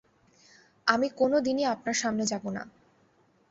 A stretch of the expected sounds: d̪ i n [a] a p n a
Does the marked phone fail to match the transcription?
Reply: yes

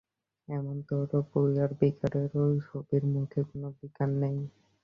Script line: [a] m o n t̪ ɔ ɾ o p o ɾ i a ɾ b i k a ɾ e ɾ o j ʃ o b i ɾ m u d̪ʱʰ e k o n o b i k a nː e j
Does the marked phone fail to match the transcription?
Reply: yes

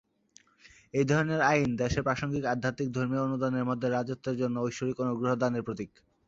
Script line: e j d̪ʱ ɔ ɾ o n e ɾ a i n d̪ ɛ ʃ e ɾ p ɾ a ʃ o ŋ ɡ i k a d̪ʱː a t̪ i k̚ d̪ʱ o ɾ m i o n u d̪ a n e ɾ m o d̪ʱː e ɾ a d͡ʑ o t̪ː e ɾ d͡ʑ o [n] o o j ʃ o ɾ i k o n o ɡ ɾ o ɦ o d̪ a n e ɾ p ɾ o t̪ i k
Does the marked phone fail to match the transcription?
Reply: yes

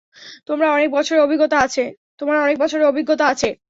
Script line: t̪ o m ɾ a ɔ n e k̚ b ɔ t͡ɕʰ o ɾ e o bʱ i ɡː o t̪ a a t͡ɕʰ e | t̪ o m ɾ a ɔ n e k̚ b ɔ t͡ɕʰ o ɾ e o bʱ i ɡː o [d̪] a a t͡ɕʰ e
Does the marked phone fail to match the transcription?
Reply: yes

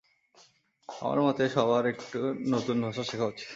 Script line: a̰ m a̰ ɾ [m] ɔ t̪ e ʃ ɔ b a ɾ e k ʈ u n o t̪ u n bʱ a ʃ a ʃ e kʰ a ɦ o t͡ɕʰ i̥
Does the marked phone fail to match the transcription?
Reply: no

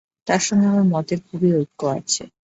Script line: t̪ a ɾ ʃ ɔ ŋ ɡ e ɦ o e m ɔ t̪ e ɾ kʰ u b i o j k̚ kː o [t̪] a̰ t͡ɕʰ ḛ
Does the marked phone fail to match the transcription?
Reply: yes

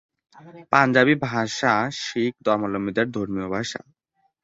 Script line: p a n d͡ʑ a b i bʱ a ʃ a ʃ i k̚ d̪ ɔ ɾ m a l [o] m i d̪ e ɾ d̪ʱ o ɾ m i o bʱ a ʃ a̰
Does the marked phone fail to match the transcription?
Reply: no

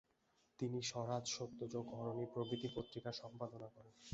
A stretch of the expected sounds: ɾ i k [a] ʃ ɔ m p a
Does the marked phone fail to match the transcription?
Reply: no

